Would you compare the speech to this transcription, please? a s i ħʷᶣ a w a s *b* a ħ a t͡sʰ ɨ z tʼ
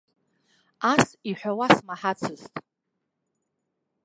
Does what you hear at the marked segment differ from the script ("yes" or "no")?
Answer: yes